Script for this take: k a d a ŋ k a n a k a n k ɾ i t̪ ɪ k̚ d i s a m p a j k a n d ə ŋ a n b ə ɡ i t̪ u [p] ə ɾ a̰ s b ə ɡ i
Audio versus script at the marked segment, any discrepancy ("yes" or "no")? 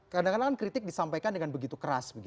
yes